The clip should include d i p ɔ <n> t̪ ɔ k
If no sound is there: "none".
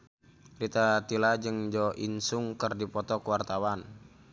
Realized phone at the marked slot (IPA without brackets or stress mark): none